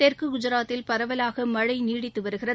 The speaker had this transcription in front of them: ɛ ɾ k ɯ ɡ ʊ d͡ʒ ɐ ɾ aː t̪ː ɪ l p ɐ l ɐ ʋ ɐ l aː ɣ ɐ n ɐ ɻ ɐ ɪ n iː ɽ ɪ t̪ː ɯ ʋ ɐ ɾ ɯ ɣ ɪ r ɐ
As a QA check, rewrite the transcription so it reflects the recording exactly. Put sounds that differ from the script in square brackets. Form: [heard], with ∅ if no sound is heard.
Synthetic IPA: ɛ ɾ k ɯ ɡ ʊ d͡ʒ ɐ ɾ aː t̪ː ɪ l p ɐ [ɾ] ɐ ʋ ɐ l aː ɣ ɐ [m] ɐ ɻ ɐ ɪ n iː ɽ ɪ t̪ː ɯ ʋ ɐ ɾ ɯ ɣ ɪ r ɐ